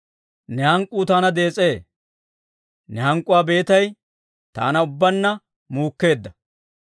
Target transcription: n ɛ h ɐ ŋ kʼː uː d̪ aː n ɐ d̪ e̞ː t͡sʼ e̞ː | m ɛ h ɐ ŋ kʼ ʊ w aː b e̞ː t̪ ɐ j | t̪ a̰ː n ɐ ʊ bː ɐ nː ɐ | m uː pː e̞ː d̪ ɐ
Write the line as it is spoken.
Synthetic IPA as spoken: n ɛ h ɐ ŋ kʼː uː t̪ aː n ɐ d̪ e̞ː t͡sʼ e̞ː | n ɛ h ɐ ŋ kʼ ʊ w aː b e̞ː t̪ ɐ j | t̪ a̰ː n ɐ ʊ bː ɐ nː ɐ | m uː kː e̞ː d̪ː ɐ